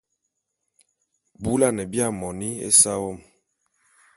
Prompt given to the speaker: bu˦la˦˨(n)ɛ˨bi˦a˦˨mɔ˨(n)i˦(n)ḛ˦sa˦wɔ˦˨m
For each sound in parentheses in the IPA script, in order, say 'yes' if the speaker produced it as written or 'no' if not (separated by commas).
yes, yes, no